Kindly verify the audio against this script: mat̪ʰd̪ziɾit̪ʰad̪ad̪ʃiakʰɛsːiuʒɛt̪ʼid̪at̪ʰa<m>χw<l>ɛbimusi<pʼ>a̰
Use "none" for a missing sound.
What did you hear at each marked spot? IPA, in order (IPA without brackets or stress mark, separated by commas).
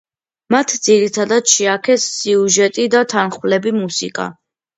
n, l, kʼ